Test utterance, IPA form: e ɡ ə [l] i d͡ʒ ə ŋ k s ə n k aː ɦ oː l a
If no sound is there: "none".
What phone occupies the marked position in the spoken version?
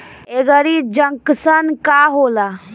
ɾ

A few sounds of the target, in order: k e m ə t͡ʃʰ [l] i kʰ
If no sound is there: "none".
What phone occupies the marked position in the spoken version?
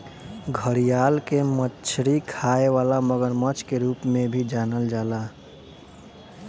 ɾ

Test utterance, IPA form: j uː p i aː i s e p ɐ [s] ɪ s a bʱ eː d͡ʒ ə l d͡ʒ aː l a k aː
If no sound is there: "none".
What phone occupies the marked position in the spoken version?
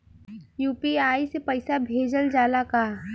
none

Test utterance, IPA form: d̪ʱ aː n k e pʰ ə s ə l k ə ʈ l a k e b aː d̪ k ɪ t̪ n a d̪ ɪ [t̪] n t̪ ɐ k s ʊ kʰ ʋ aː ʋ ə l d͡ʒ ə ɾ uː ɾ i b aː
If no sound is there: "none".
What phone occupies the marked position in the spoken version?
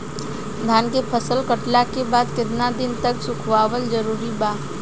none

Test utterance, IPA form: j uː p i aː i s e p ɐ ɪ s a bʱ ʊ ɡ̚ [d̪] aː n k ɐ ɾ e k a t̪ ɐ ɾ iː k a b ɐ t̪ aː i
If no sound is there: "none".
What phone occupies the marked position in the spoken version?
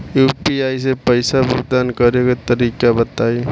d̪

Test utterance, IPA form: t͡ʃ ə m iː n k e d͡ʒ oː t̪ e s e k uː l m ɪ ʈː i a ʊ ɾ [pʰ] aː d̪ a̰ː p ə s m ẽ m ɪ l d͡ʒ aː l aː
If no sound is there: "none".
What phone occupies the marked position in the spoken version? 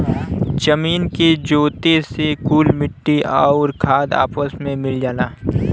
kʰ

